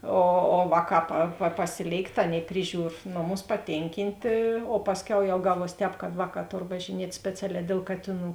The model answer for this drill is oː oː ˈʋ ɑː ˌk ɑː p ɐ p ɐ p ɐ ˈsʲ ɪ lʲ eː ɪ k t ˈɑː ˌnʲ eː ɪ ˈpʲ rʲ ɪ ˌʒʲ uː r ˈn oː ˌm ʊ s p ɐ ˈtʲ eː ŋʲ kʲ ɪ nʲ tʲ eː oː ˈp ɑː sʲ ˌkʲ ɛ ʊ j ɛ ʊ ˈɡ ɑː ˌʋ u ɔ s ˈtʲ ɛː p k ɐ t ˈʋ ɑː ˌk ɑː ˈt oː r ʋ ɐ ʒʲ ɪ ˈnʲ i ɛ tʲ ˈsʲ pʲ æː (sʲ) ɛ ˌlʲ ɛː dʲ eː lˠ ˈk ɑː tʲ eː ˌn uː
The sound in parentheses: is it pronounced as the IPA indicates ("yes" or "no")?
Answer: no